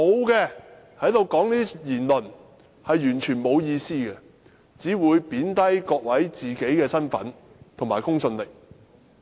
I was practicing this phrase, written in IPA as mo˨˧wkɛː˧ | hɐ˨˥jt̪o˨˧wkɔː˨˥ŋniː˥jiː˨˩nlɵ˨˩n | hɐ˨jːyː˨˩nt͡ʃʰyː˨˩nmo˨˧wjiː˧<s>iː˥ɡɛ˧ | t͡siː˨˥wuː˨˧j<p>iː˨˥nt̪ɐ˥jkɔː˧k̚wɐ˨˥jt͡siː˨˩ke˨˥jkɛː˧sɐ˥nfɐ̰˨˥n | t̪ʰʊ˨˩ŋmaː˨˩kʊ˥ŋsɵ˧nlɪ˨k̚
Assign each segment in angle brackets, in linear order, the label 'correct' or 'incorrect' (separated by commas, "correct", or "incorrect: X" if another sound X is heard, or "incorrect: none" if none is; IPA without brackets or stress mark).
correct, correct